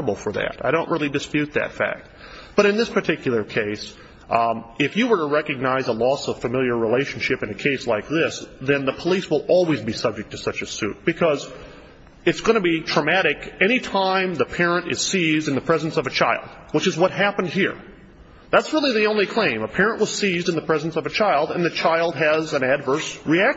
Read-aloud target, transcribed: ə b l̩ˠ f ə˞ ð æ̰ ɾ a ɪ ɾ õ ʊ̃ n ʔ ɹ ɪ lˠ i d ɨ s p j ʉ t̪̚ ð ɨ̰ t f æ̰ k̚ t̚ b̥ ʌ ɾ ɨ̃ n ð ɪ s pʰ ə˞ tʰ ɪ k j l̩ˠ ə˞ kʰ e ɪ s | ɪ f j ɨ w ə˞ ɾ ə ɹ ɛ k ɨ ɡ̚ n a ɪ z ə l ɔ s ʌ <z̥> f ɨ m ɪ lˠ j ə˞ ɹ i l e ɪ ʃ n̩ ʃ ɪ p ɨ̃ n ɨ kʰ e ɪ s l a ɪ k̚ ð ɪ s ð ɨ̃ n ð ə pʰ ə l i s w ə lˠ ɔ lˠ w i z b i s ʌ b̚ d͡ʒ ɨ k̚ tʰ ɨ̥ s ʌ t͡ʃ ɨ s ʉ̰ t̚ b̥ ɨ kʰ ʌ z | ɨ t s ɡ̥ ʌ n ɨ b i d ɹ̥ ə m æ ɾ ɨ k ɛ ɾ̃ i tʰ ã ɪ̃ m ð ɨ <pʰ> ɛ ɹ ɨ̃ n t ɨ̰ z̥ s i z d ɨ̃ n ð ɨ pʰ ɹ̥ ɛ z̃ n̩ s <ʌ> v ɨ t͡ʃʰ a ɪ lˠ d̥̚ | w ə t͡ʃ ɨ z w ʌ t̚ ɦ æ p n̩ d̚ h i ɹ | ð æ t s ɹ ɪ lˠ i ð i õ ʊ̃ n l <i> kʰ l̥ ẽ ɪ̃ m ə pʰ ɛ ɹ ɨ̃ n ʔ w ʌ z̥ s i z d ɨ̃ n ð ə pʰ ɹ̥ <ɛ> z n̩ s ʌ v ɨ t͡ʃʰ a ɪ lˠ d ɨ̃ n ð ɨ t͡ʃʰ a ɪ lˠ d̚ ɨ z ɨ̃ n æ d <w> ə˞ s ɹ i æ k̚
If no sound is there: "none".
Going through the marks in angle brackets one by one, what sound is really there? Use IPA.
v̥, pʰ, ʌ, i, ɛ, v

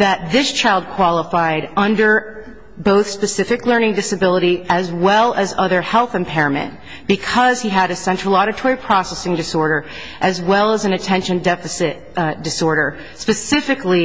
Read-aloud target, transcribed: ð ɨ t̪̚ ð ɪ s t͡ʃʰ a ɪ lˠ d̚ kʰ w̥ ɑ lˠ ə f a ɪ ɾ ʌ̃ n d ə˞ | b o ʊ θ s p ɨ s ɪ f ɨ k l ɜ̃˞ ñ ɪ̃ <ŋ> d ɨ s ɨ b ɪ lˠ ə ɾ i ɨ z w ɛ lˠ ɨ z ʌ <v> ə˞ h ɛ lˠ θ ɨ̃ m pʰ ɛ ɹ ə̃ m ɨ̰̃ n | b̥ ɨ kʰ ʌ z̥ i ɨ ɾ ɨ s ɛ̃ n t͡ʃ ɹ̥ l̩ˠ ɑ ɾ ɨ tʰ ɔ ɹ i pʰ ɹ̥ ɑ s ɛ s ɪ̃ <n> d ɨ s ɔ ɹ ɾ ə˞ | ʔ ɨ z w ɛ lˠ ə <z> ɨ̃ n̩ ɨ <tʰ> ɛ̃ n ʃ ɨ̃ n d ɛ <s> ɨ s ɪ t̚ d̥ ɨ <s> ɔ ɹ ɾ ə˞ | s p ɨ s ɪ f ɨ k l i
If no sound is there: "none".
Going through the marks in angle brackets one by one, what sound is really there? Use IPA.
ŋ, ð, ŋ, z, tʰ, f, s

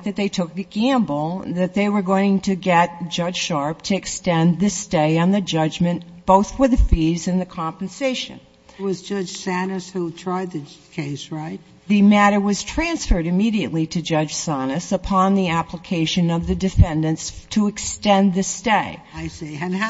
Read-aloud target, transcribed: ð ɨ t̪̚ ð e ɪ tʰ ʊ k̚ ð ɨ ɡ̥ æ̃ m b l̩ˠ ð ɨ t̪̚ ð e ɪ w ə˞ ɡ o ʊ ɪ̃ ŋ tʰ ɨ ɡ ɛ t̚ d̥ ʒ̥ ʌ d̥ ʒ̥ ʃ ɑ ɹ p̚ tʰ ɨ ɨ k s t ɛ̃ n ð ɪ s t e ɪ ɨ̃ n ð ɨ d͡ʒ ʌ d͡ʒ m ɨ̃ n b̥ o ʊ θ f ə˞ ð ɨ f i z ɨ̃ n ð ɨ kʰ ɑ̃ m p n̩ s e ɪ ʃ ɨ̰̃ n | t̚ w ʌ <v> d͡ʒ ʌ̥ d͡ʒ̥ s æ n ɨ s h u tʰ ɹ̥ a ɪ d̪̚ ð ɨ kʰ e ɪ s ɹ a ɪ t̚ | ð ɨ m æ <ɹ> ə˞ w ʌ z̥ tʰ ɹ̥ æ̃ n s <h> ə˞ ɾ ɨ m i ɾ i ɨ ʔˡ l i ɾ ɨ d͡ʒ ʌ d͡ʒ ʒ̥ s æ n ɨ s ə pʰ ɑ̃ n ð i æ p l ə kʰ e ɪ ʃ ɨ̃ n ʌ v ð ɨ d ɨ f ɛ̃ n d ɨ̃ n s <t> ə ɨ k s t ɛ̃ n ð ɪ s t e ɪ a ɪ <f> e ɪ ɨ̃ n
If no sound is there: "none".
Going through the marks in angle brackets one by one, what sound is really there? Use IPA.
z, ɾ, f, tʰ, s

